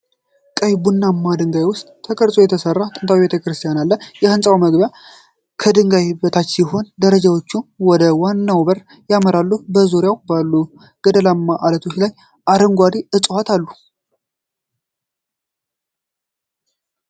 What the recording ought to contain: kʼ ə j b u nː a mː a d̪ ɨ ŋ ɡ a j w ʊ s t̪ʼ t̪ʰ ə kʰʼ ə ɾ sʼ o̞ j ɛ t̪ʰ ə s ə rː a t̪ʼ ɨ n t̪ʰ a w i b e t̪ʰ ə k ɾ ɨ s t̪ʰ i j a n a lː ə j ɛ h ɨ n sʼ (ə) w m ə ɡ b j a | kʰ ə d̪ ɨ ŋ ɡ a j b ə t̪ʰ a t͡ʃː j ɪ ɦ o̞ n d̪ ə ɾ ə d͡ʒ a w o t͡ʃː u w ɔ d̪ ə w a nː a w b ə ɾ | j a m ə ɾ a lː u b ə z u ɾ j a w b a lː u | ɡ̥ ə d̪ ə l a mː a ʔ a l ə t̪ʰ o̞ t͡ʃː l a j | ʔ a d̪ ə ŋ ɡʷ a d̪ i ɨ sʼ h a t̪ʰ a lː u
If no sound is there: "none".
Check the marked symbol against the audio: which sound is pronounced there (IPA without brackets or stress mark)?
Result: a